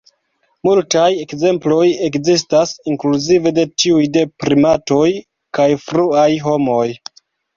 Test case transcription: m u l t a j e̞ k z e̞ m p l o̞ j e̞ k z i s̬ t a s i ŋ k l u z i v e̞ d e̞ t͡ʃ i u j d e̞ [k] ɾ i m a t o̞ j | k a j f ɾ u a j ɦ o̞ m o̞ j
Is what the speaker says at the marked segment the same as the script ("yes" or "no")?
no